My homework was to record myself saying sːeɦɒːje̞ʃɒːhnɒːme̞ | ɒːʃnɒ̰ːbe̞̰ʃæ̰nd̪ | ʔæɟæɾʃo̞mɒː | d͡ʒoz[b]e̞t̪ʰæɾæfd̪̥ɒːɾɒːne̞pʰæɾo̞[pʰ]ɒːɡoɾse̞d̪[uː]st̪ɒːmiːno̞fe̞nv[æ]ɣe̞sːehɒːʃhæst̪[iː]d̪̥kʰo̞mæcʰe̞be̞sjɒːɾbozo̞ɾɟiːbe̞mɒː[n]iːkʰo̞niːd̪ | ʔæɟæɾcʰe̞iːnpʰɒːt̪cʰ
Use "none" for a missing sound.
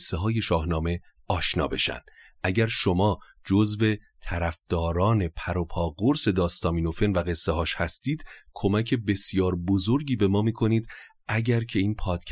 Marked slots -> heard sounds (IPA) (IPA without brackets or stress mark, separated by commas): v, pʰ, ɒː, æ, iː, m